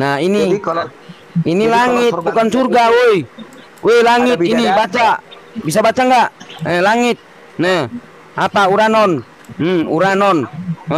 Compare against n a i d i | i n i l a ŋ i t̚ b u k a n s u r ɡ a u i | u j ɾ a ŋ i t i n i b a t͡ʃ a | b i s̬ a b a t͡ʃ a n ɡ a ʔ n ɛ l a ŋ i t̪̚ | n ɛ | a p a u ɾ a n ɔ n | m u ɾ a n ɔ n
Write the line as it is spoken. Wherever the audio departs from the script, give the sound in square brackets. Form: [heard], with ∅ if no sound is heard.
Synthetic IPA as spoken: n a i [n] i | i n i l a ŋ i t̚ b u k a n s u r ɡ a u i | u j [l] a ŋ i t i n i b a t͡ʃ a | b i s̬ a b a t͡ʃ a [ŋ] ɡ a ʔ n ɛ l a ŋ i t̪̚ | n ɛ | a p a u ɾ a n ɔ n | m u ɾ a n ɔ n

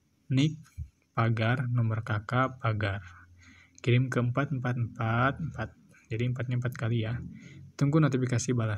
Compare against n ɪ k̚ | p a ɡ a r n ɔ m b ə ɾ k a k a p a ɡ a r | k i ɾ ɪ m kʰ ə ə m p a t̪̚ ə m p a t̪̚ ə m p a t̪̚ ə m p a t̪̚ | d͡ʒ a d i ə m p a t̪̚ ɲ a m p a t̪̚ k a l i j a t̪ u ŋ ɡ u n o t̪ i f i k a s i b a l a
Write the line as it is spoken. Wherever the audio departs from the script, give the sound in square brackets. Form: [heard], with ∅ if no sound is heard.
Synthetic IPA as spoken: n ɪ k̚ | p a ɡ a r n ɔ m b ə [r] k a k a p a ɡ a r | k i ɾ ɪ m [k] ə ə m p a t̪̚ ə m p a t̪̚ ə m p a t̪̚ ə m p a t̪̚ | d͡ʒ a d i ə m p a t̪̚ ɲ a m p a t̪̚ k a l i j a t̪ u ŋ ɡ u n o t̪ i f i k a s i b a l a

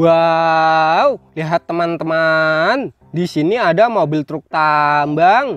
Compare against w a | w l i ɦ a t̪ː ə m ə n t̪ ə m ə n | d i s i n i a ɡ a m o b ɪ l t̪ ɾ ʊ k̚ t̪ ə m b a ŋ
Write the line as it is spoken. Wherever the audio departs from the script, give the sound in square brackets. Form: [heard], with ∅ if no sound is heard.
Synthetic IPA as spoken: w a | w l i ɦ a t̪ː ə m [a] n t̪ ə m [a] n | d i s i n i a [d] a m o b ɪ l t̪ ɾ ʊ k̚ t̪ [a] m b a ŋ

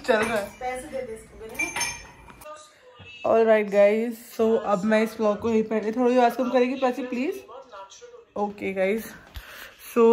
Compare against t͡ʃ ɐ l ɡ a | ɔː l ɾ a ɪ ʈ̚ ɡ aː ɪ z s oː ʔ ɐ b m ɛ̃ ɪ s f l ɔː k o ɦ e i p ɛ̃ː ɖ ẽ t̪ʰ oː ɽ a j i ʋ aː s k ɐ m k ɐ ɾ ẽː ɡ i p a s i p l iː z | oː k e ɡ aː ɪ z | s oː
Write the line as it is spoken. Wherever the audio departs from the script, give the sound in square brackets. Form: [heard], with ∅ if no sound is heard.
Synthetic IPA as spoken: t͡ʃ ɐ l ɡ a | ɔː l ɾ a ɪ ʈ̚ ɡ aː ɪ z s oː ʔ ɐ b m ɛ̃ ɪ s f l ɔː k o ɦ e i p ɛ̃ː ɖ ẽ t̪ʰ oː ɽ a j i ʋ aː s k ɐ m k ɐ ɾ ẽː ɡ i p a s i p l iː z | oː k e ɡ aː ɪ z | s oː

